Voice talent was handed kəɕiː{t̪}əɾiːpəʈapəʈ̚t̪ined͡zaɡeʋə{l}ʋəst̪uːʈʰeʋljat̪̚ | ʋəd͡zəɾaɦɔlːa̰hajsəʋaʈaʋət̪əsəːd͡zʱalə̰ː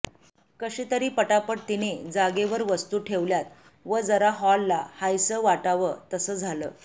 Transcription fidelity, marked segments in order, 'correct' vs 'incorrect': correct, incorrect: ɾ

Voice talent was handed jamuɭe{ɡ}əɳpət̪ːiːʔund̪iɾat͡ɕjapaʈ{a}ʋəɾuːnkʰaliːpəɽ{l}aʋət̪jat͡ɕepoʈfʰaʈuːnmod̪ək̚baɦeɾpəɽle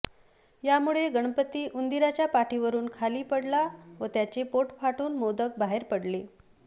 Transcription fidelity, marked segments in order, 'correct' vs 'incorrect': correct, incorrect: i, correct

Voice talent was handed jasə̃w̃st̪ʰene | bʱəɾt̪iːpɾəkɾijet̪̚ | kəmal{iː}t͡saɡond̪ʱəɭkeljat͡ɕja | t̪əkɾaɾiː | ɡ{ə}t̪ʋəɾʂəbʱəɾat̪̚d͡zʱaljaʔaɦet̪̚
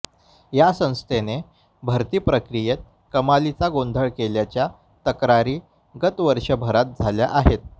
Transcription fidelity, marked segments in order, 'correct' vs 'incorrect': incorrect: i, correct

